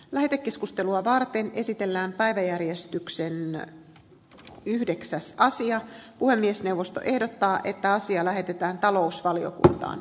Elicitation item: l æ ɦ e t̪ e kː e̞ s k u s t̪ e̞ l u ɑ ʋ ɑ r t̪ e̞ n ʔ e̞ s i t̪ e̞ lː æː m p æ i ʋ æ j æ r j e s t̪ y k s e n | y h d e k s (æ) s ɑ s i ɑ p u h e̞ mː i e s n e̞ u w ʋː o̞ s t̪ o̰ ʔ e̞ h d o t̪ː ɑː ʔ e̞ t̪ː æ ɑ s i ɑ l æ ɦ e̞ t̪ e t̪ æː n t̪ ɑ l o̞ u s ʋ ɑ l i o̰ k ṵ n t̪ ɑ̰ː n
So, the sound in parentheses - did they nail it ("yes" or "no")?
yes